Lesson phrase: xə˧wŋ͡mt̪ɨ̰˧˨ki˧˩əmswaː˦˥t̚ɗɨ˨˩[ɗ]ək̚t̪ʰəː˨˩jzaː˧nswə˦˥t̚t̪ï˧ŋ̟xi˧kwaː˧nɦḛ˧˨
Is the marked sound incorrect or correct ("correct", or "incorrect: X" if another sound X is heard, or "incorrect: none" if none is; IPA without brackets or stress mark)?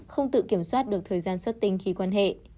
incorrect: none